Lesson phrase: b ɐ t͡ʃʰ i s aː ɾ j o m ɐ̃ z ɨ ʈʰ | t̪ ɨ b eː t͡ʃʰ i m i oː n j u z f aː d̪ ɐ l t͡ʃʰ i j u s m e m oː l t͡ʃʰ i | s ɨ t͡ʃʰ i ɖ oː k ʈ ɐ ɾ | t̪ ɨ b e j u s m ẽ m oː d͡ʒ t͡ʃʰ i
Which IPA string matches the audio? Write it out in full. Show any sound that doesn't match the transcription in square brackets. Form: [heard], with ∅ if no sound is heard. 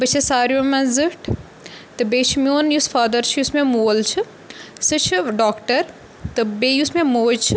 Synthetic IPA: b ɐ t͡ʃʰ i s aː ɾ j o m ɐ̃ z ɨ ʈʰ | t̪ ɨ b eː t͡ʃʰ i m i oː n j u [s] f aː d̪ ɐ [ɾ] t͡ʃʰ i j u s m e m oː l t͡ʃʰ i | s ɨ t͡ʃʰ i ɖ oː k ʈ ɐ ɾ | t̪ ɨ b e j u s m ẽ m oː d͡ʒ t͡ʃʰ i